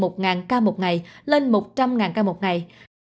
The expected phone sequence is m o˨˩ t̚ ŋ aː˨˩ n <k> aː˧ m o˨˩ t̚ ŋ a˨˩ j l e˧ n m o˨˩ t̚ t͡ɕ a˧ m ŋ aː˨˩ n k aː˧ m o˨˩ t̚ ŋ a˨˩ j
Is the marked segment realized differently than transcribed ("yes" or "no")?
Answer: no